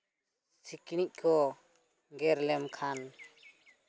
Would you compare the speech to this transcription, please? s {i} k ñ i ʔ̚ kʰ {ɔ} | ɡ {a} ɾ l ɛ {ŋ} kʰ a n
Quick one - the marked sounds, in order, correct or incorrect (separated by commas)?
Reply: correct, correct, incorrect, incorrect